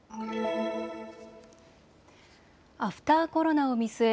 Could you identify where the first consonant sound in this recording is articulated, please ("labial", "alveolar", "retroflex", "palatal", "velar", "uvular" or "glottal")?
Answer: labial